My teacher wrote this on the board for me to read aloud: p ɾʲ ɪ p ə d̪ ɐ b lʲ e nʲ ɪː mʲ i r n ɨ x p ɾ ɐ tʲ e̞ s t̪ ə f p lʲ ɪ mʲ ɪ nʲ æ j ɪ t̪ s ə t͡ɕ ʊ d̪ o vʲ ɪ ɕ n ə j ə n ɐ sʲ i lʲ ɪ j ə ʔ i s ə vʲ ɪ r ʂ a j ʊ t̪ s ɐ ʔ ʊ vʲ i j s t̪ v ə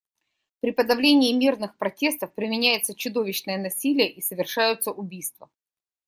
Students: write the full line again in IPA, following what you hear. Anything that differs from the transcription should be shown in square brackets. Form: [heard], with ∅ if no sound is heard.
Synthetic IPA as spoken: p ɾʲ ɪ p ə d̪ ɐ [v] lʲ e nʲ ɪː mʲ i r n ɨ x p ɾ ɐ tʲ e̞ s t̪ ə f p [ɾʲ] ɪ mʲ ɪ nʲ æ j ɪ t̪ s ə t͡ɕ ʊ d̪ o vʲ ɪ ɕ n ə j ə n ɐ sʲ i lʲ ɪ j ə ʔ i s ə vʲ ɪ r ʂ a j ʊ t̪ s [ə] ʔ ʊ [bʲ] i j s t̪ v ə